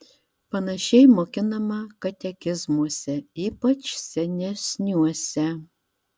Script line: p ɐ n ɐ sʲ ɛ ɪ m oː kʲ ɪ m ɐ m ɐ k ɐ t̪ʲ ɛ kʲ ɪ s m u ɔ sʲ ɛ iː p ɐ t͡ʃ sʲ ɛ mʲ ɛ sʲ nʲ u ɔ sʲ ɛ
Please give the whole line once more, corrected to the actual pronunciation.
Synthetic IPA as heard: p ɐ n ɐ ʃʲ ɛ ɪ m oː kʲ ɪ n ɐ m ɐ k ɐ t̪ʲ ɛ kʲ ɪ z m u ɔ sʲ ɛ iː p ɐ t͡ʃ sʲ ɛ nʲ ɛ sʲ nʲ u ɔ sʲ ɛ